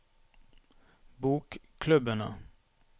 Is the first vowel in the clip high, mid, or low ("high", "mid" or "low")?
high